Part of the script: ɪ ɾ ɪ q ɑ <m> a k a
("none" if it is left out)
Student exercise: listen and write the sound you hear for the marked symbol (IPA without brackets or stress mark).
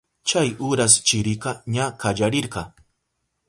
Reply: ɲ